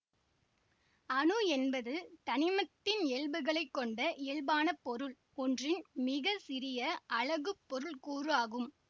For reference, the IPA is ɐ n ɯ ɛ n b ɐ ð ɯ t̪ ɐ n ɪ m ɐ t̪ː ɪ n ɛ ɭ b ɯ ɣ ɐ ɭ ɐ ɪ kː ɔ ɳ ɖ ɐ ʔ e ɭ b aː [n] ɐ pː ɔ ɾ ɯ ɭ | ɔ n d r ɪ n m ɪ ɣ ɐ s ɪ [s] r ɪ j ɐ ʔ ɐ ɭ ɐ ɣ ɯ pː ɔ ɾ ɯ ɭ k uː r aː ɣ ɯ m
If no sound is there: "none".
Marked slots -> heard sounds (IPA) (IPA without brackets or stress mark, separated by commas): n, none